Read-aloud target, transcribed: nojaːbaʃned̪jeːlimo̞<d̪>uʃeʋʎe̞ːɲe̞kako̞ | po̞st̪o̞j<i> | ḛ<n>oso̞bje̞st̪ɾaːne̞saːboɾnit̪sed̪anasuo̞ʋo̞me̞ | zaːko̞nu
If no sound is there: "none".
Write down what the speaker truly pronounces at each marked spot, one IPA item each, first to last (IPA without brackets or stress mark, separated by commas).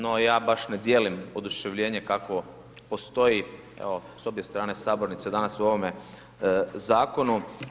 d̪, i, none